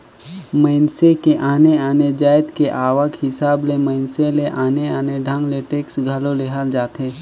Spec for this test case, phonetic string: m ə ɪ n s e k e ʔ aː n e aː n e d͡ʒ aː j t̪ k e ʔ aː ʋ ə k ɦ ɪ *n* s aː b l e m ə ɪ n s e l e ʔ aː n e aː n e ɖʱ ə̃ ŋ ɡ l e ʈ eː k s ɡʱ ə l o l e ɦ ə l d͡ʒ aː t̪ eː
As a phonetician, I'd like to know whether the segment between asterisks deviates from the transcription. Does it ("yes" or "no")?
yes